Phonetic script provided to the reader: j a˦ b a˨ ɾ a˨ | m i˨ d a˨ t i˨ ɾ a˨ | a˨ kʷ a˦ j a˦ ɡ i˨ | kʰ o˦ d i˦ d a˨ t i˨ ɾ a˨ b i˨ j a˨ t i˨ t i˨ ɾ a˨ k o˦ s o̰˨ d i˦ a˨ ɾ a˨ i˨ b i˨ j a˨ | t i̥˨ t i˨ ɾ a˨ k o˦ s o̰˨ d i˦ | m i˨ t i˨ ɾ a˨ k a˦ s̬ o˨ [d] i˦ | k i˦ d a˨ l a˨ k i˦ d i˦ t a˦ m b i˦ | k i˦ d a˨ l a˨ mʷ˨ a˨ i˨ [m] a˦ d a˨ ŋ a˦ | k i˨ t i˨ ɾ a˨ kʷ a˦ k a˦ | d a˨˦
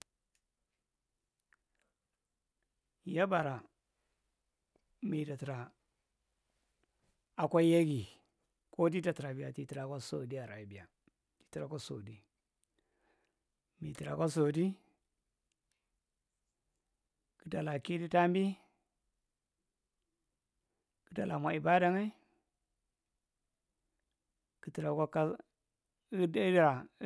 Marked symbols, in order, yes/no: yes, no

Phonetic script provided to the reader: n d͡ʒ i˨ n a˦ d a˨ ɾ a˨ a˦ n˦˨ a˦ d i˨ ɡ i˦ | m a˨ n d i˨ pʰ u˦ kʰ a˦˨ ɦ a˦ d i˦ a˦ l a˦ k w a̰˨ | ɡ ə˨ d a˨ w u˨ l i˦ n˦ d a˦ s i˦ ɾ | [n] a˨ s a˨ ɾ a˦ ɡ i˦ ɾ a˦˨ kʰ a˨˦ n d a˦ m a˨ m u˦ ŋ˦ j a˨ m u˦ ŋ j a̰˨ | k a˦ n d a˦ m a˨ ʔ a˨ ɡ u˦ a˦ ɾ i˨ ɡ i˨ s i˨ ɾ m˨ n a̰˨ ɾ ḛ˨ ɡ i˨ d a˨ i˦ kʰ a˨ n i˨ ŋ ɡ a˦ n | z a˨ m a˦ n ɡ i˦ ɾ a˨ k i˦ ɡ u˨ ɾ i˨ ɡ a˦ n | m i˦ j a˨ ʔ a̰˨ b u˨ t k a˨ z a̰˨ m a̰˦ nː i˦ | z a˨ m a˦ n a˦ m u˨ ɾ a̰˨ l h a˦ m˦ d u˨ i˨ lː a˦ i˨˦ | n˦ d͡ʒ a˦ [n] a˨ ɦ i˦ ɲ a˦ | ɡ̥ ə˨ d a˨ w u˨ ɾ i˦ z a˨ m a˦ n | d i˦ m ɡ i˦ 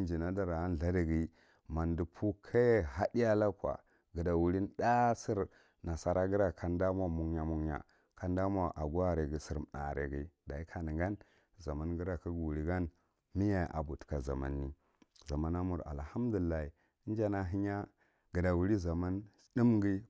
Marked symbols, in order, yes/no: yes, yes

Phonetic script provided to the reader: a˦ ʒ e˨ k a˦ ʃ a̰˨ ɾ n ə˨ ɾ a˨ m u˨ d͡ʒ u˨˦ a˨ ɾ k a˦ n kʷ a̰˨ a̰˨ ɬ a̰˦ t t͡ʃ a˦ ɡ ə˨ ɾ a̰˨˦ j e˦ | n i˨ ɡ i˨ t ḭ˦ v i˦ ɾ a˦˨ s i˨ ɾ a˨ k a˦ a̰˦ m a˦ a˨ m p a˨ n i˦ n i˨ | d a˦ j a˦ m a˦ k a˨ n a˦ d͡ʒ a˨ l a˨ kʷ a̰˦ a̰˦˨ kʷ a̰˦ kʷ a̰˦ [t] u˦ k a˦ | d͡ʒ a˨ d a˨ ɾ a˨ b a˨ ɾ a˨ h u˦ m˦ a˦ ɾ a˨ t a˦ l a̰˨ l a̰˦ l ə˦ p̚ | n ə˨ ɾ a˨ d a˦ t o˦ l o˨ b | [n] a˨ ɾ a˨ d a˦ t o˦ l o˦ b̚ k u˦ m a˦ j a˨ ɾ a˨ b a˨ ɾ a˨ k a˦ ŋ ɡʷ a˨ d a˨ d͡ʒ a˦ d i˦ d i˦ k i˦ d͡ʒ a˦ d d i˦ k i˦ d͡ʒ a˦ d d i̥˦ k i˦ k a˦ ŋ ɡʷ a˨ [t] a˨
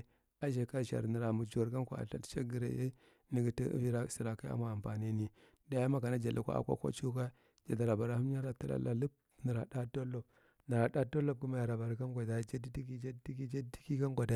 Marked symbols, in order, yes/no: no, yes, no

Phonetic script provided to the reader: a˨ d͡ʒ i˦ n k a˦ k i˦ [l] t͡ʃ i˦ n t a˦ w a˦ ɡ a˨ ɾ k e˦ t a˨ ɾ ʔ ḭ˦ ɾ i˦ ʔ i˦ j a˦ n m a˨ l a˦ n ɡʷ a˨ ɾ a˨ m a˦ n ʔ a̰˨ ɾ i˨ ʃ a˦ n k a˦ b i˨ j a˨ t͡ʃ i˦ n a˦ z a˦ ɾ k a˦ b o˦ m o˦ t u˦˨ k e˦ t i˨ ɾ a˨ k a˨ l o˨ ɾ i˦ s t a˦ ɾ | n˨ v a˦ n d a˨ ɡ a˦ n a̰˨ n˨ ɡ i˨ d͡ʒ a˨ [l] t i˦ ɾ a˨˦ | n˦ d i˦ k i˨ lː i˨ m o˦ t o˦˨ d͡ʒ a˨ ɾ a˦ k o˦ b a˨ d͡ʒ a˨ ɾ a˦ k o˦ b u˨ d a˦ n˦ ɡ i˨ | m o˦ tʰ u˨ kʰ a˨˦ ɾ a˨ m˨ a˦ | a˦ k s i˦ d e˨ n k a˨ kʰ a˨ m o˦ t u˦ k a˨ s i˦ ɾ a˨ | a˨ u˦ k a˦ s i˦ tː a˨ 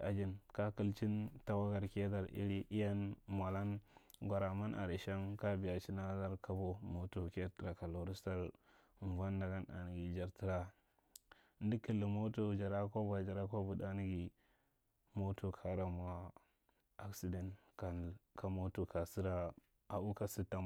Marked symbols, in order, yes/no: yes, no

